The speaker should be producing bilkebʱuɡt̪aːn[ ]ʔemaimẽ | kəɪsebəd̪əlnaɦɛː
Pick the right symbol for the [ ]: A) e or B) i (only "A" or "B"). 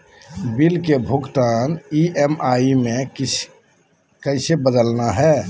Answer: B